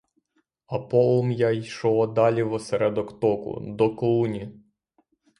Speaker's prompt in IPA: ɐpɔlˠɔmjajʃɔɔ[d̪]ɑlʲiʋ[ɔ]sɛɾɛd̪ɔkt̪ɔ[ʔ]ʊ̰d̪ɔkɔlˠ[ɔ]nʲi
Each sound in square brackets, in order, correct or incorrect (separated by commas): correct, correct, incorrect, incorrect